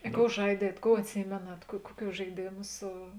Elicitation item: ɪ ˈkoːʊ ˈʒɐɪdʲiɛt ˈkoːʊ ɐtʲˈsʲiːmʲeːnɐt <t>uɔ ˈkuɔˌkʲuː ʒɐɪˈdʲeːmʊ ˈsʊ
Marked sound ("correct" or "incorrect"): incorrect